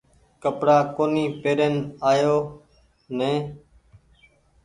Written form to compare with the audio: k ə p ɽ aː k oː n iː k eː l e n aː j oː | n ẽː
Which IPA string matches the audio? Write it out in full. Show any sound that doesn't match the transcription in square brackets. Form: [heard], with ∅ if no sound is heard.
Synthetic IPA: k ə p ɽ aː k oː n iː [p] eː [ɾ] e n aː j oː | n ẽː